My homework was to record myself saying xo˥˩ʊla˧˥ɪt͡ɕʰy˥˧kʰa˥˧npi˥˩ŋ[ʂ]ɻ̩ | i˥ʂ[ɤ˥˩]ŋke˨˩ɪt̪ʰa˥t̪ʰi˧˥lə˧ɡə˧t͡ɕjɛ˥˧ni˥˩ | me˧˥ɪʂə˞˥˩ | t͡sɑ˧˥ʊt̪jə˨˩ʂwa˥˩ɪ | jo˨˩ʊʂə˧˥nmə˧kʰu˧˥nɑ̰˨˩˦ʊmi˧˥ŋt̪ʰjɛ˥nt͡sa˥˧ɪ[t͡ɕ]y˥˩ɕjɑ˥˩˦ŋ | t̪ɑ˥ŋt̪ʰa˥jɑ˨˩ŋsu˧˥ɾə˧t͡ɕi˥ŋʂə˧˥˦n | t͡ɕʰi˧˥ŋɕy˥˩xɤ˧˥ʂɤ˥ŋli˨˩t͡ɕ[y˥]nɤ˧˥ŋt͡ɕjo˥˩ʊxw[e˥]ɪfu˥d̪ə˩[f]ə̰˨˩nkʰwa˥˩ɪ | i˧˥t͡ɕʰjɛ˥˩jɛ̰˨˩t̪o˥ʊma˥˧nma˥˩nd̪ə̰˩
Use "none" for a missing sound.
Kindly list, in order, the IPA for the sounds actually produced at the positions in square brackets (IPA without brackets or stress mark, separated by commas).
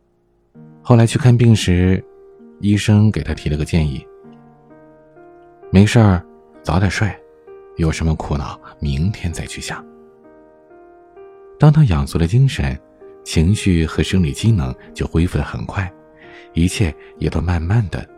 ʂ, ɤ˥, t͡ɕʰ, i˥, e˥, x